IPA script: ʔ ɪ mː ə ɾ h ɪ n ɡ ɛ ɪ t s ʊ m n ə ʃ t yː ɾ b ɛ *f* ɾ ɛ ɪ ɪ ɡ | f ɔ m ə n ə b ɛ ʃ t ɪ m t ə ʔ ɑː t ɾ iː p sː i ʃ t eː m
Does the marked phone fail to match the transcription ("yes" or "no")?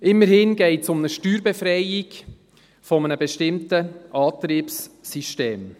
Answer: no